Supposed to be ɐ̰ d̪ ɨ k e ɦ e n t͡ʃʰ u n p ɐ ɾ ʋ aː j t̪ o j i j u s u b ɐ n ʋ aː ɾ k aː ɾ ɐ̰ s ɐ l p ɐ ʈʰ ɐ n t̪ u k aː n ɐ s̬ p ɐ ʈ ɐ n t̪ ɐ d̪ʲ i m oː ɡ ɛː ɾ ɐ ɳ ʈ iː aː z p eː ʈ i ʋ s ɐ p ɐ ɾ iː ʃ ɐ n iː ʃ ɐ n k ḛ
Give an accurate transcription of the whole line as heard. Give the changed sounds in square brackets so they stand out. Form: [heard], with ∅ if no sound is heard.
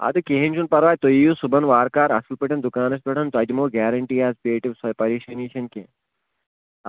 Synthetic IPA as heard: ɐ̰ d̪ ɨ k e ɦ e n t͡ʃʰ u n p ɐ ɾ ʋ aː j t̪ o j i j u s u b ɐ n ʋ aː ɾ k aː ɾ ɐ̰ s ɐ l p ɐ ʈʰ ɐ n [d̪] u k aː n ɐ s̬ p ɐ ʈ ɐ n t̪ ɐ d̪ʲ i m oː ɡ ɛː ɾ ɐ ɳ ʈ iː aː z p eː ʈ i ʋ s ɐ p ɐ ɾ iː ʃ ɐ n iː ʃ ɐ n k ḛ